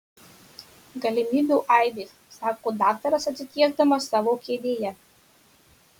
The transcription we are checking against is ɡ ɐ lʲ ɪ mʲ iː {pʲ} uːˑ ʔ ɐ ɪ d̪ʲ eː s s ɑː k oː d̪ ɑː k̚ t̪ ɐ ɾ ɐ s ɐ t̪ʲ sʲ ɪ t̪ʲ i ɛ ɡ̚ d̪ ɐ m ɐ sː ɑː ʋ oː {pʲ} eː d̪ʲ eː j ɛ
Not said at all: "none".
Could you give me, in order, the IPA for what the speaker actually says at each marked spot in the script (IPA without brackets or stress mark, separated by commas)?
bʲ, kʲ